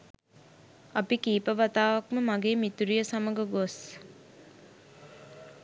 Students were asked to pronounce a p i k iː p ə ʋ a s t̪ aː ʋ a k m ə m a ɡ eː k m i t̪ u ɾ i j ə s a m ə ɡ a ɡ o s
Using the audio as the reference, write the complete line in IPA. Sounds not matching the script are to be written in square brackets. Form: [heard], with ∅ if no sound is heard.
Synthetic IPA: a p i k iː p ə ʋ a [∅] t̪ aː ʋ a k m ə m a ɡ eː [∅] m i t̪ u ɾ i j ə s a m ə ɡ [ə] ɡ o s